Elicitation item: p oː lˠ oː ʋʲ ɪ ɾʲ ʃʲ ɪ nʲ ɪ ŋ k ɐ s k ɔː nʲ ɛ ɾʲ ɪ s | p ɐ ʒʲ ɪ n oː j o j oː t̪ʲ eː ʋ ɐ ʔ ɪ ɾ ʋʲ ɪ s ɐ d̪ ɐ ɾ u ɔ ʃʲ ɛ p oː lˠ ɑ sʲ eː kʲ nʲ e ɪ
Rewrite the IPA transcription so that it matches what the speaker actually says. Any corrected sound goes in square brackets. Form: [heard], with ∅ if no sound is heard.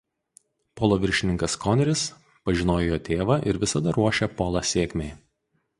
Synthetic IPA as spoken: p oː lˠ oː ʋʲ ɪ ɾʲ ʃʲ ɪ nʲ ɪ ŋ k ɐ s k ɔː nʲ ɛ ɾʲ ɪ s | p ɐ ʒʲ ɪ n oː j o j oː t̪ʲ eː ʋ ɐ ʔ ɪ ɾ ʋʲ ɪ s ɐ d̪ ɐ ɾ u ɔ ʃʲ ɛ p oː lˠ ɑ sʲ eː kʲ [mʲ] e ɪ

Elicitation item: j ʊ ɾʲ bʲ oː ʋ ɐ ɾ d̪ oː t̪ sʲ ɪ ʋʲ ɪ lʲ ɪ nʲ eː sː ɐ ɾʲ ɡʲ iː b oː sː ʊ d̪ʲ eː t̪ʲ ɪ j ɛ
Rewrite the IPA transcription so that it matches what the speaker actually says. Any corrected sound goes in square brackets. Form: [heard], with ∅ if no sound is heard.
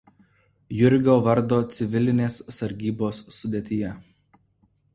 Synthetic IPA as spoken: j ʊ ɾʲ [ɡʲ] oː ʋ ɐ ɾ d̪ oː t̪ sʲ ɪ ʋʲ ɪ lʲ ɪ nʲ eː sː ɐ ɾʲ ɡʲ iː b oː sː ʊ d̪ʲ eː t̪ʲ ɪ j ɛ

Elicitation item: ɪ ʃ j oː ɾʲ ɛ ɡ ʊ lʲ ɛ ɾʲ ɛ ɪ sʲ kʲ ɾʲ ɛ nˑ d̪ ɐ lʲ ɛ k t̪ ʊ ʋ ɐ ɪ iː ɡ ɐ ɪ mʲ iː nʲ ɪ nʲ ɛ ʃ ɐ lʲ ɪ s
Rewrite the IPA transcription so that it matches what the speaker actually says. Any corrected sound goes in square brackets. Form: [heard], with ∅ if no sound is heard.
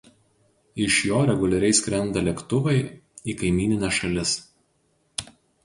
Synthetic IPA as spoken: ɪ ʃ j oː ɾʲ ɛ ɡ ʊ lʲ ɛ ɾʲ ɛ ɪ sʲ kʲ ɾʲ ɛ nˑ d̪ ɐ lʲ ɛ k t̪ ʊ ʋ ɐ ɪ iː [k] ɐ ɪ mʲ iː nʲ ɪ nʲ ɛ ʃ ɐ lʲ ɪ s

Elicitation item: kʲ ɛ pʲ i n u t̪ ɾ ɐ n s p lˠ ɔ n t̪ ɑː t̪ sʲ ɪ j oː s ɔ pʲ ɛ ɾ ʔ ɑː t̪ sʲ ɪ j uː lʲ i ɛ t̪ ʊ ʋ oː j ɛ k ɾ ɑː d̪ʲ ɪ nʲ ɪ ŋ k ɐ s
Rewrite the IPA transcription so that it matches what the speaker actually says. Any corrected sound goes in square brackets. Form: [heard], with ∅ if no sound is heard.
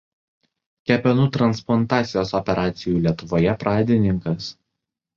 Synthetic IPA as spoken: kʲ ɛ pʲ [ɛ] n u t̪ ɾ ɐ n s p lˠ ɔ n t̪ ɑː t̪ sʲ ɪ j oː s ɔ pʲ ɛ ɾ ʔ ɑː t̪ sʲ ɪ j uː lʲ i ɛ t̪ ʊ ʋ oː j ɛ [p] ɾ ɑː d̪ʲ ɪ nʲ ɪ ŋ k ɐ s

